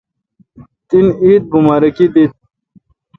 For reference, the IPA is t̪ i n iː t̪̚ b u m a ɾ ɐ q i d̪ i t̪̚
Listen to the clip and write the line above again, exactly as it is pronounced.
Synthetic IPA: t̪ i n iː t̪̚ b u m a ɾ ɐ k i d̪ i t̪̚